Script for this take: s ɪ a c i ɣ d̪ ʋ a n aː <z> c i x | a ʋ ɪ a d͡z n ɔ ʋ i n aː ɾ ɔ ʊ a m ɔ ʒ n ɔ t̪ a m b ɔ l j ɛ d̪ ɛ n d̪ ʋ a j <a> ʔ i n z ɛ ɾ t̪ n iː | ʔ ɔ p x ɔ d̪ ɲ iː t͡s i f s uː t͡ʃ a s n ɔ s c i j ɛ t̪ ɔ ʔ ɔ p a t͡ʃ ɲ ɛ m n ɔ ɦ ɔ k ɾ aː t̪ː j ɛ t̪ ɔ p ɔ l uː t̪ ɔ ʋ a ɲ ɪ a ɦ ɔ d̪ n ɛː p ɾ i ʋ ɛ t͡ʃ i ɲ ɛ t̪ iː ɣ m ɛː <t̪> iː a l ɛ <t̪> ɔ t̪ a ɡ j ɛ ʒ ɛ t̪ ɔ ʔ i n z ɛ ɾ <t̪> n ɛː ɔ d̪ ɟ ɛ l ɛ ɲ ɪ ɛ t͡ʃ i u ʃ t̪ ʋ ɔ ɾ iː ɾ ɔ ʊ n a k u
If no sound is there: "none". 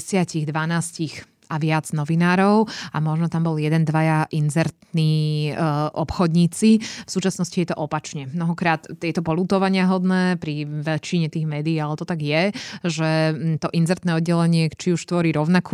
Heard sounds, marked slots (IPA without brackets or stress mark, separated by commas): s, a, d̪, t̪, t̪